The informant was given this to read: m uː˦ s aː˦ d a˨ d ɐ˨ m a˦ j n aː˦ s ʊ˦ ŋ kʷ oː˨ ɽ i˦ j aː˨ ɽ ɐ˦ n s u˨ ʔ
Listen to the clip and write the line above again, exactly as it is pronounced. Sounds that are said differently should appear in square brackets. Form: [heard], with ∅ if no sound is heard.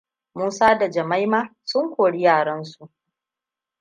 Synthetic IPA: m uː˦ s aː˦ d a˨ [d͡ʒ] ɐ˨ m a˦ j [m] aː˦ s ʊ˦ ŋ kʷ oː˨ ɽ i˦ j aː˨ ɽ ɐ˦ n s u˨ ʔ